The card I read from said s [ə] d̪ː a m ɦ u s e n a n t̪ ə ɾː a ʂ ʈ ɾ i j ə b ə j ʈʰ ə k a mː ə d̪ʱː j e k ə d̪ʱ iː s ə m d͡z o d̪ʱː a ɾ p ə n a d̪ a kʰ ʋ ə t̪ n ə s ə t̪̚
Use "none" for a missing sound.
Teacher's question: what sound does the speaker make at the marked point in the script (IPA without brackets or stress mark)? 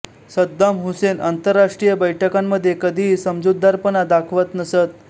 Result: ə